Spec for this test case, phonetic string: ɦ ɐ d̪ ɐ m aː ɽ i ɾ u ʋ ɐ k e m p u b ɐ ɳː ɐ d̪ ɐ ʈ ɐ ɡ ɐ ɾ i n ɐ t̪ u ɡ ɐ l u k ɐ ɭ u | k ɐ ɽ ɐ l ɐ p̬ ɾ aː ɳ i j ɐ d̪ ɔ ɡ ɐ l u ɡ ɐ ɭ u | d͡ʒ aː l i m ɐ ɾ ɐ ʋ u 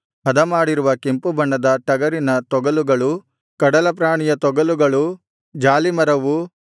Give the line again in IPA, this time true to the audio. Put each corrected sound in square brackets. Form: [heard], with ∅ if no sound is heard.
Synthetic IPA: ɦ ɐ d̪ ɐ m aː ɽ i ɾ u ʋ ɐ k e m p u b ɐ ɳː ɐ d̪ ɐ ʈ ɐ ɡ ɐ ɾ i n ɐ t̪ [ɔ] ɡ ɐ l u [ɡ] ɐ ɭ u | k ɐ ɽ ɐ l ɐ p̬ ɾ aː ɳ i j ɐ [t̪] ɔ ɡ ɐ l u ɡ ɐ ɭ u | d͡ʒ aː l i m ɐ ɾ ɐ ʋ u